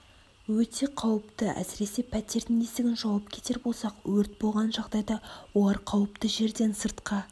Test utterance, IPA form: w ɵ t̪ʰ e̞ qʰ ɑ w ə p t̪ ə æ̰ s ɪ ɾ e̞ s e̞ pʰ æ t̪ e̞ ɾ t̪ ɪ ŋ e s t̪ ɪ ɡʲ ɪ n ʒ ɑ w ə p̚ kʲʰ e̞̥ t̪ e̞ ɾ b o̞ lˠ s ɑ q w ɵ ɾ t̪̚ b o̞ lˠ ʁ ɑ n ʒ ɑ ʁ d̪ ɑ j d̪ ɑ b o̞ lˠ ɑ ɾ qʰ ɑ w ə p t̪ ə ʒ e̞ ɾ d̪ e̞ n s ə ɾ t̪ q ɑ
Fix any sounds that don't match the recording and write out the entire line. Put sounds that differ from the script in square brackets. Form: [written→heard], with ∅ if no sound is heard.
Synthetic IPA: w ɵ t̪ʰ e̞ qʰ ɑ w ə p t̪ ə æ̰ s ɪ ɾ e̞ s e̞ pʰ æ t̪ e̞ ɾ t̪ ɪ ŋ e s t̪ ɪ ɡʲ ɪ n ʒ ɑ w [ə→ɑ] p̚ kʲʰ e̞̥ t̪ e̞ ɾ b o̞ lˠ s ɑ q w ɵ ɾ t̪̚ b o̞ lˠ ʁ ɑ n ʒ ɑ ʁ d̪ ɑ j d̪ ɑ [b→w] o̞ lˠ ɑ ɾ qʰ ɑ w ə p t̪ ə ʒ e̞ ɾ d̪ e̞ n s ə ɾ t̪ q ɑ